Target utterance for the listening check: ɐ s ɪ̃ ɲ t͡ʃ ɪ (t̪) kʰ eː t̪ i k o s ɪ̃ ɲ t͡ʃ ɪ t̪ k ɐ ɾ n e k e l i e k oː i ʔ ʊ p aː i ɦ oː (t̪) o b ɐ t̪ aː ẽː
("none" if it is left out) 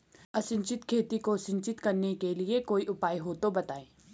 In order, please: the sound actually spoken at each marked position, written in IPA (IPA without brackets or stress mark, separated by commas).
t̪, t̪